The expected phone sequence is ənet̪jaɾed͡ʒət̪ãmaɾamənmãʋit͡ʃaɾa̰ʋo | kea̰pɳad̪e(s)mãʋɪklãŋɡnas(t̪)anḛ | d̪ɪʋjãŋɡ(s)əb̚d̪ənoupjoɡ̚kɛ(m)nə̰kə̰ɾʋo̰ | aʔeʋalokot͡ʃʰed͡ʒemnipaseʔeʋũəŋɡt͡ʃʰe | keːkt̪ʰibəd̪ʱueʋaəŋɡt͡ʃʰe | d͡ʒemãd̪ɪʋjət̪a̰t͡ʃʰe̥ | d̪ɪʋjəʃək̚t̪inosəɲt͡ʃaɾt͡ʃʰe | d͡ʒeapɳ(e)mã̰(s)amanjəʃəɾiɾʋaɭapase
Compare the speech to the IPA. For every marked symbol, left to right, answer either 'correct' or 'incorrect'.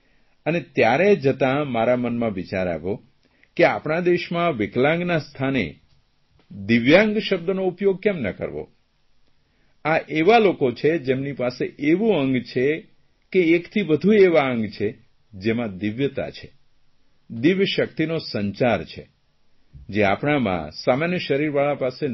incorrect: ʃ, incorrect: t̪ʰ, incorrect: ʃ, correct, incorrect: a, correct

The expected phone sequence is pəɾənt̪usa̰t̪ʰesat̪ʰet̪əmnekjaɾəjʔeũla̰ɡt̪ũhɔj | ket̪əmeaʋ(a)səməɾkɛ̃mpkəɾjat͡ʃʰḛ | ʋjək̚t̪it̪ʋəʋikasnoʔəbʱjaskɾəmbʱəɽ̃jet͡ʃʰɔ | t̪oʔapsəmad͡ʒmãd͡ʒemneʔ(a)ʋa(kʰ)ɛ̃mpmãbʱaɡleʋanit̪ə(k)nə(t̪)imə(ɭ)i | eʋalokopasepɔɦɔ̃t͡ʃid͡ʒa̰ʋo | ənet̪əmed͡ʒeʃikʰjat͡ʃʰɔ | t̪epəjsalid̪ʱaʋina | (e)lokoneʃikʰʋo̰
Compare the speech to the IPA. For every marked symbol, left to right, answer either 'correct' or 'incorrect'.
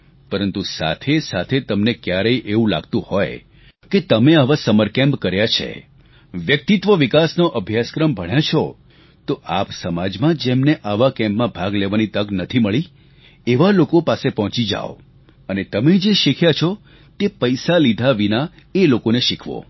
correct, correct, incorrect: k, incorrect: ɡ, incorrect: t̪ʰ, correct, correct

